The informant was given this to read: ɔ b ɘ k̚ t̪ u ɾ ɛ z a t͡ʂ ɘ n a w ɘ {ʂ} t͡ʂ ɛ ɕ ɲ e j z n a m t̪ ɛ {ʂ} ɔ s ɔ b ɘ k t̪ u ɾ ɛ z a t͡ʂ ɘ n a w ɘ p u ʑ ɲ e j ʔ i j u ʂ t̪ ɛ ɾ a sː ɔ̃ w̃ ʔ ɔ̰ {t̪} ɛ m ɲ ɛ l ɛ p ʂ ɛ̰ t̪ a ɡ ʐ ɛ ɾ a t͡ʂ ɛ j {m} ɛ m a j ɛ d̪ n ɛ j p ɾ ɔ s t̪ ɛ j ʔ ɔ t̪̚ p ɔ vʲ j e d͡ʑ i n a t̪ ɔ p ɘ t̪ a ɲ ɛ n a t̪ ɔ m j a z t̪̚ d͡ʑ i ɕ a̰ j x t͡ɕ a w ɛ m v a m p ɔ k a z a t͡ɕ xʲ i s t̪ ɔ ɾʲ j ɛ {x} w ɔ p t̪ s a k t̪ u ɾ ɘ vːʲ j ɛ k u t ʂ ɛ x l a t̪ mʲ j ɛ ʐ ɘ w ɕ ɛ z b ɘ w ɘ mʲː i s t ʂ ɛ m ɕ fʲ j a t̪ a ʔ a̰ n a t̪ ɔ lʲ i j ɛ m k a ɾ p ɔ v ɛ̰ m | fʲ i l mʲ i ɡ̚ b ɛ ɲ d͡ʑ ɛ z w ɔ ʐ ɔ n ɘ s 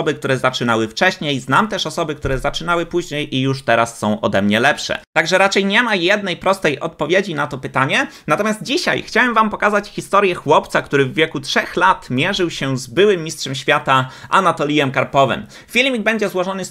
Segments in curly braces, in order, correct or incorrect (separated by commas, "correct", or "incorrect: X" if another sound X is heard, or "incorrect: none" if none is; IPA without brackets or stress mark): incorrect: f, correct, incorrect: d̪, incorrect: ɲ, correct